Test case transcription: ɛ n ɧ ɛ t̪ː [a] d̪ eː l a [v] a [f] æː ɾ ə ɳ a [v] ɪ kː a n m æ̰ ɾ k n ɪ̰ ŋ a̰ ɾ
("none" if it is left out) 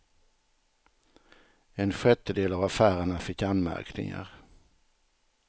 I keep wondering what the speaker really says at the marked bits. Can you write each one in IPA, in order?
ə, v, f, f

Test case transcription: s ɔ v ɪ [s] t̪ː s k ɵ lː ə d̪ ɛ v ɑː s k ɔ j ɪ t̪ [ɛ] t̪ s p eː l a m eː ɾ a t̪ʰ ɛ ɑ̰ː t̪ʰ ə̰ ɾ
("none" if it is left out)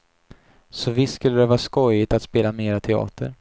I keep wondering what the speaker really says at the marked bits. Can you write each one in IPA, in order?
s, a

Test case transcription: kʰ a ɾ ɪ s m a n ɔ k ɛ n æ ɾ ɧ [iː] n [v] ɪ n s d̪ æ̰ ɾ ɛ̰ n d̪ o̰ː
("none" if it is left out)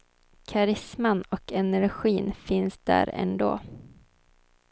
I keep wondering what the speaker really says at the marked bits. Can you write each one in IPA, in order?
iː, f

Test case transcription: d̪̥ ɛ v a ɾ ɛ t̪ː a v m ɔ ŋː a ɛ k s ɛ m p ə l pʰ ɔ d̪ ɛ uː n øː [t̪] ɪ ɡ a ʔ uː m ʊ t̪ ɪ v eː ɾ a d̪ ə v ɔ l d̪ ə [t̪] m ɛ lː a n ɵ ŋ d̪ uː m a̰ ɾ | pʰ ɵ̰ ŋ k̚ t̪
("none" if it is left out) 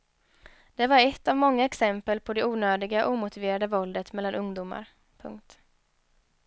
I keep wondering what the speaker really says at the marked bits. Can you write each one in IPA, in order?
d̪, t̪

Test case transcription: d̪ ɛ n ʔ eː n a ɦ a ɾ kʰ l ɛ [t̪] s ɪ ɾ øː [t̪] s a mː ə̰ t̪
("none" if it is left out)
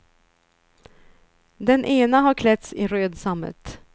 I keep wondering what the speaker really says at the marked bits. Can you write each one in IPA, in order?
t̪, d̪

